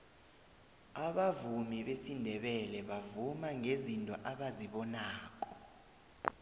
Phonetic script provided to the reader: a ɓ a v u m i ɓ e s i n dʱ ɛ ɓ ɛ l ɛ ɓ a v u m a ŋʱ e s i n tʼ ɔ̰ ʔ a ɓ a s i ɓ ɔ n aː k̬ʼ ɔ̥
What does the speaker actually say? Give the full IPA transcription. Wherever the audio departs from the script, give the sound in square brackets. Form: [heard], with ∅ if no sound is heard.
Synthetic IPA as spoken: a ɓ a v u m i ɓ e s i n dʱ ɛ ɓ ɛ l ɛ ɓ a v u m a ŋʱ e [z] i n tʼ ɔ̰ ʔ a ɓ a [z] i ɓ ɔ n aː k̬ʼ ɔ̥